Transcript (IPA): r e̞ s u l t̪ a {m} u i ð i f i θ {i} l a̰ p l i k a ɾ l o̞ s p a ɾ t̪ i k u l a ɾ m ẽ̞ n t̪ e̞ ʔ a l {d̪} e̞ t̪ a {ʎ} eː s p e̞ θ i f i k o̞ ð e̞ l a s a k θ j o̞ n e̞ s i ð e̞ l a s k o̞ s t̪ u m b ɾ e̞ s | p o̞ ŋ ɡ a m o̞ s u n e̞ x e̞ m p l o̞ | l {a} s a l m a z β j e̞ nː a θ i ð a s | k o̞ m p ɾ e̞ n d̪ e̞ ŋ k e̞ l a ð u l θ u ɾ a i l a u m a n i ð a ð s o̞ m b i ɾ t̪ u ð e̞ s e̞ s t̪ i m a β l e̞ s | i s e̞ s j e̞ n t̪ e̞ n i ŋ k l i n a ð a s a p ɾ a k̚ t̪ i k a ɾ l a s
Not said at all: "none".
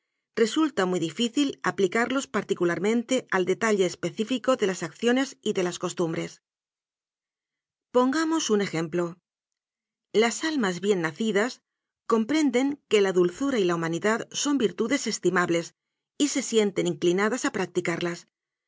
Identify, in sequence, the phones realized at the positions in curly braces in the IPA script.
m, i, d̪, ʎ, a

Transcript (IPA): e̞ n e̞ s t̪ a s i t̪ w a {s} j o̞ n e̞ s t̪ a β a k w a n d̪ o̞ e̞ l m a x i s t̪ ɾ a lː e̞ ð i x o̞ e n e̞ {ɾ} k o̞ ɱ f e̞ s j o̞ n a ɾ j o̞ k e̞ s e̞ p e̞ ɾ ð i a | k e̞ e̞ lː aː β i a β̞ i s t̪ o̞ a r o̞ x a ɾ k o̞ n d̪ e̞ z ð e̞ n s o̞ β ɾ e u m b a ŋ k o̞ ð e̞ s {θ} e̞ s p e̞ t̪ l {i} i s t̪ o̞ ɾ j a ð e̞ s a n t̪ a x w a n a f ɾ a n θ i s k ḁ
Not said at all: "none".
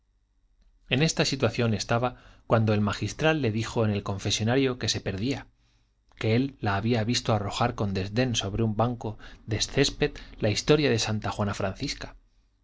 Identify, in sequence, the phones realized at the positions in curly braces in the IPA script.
θ, l, θ, a

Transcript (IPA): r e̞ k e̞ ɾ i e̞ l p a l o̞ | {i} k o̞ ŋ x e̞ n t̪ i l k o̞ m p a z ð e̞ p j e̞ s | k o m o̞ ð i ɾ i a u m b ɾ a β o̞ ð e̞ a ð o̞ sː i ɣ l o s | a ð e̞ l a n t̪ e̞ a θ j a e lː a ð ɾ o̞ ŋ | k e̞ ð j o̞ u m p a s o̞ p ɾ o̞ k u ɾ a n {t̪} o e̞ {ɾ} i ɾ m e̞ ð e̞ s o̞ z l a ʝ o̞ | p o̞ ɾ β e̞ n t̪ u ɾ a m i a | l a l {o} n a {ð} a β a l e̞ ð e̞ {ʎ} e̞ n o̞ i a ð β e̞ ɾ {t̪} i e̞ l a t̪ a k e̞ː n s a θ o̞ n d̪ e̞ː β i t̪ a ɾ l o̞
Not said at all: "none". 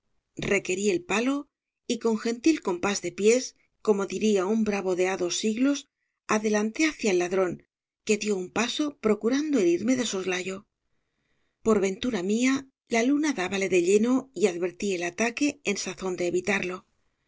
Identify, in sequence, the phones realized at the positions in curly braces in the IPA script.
i, d̪, ɾ, u, ð, ʎ, t̪

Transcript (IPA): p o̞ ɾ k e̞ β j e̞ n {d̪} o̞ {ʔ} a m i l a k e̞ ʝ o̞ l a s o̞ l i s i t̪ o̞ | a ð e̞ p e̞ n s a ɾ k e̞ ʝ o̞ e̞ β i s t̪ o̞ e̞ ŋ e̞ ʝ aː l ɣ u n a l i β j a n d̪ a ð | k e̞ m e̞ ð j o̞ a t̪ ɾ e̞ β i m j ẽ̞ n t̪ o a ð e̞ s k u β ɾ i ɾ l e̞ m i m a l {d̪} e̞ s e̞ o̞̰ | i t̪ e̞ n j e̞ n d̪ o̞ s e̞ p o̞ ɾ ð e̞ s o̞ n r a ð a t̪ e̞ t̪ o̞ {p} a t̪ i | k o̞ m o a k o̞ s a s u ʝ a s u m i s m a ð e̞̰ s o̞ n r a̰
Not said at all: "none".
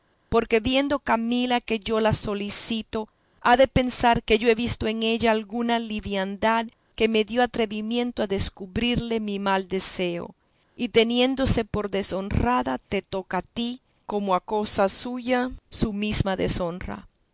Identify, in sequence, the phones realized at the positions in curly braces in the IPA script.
d̪, k, d̪, k

